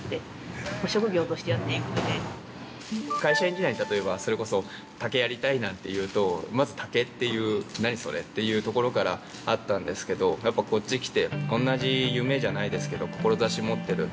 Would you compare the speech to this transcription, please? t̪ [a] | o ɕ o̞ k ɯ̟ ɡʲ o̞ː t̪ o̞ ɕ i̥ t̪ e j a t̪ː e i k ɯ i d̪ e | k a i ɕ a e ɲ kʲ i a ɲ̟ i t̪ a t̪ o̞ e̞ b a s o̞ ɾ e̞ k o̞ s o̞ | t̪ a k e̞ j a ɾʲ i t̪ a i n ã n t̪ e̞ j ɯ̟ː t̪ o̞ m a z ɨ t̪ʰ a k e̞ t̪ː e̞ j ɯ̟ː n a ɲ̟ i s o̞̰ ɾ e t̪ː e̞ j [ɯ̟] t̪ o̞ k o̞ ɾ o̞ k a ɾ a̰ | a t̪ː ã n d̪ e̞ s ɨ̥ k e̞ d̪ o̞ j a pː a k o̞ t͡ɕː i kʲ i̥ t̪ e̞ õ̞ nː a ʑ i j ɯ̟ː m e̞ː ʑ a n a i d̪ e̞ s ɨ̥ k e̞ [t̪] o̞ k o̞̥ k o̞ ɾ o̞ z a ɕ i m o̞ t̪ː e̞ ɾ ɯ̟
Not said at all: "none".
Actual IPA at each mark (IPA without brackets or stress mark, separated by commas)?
e, ɯ̟ː, d̪